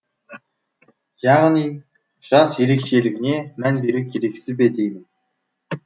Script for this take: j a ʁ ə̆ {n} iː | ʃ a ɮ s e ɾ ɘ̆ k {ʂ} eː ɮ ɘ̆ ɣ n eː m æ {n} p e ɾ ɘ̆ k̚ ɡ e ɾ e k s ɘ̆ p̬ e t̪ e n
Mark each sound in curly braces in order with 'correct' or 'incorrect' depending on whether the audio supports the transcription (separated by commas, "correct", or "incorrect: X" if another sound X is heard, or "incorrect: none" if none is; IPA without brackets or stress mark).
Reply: correct, incorrect: ʃ, correct